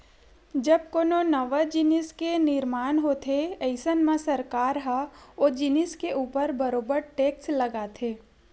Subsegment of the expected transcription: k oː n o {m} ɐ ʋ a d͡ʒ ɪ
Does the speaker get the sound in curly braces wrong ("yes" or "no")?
yes